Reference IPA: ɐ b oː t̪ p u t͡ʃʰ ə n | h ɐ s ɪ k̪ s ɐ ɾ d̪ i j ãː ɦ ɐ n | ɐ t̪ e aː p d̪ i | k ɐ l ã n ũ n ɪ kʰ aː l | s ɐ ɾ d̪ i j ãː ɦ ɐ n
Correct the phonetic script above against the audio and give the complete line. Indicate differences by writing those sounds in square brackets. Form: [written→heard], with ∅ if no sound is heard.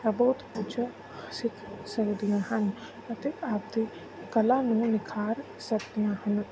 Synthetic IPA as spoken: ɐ b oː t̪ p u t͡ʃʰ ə [n→∅] | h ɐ s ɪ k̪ s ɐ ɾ d̪ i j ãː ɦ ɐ n | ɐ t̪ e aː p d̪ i | k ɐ l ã n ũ n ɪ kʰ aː [l→ɾ] | s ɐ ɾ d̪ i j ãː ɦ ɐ n